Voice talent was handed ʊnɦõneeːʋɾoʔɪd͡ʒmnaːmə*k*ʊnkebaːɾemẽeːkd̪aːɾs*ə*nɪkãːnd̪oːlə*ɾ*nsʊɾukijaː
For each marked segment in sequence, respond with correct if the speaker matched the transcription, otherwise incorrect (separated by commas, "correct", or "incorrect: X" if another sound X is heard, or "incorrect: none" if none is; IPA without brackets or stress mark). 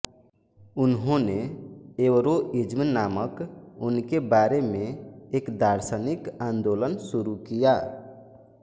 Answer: correct, correct, incorrect: none